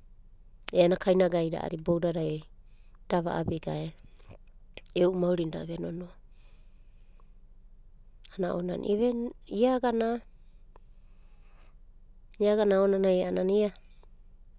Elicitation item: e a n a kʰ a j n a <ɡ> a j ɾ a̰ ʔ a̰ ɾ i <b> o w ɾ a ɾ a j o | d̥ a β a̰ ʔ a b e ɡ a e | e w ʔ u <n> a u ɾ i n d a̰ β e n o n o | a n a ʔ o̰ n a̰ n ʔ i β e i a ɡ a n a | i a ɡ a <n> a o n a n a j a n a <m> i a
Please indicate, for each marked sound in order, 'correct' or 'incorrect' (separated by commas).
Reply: correct, correct, incorrect, correct, incorrect